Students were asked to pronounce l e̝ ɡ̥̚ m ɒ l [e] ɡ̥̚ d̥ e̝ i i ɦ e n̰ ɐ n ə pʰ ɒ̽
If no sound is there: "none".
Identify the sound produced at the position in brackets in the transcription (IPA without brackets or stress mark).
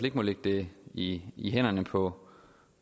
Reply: e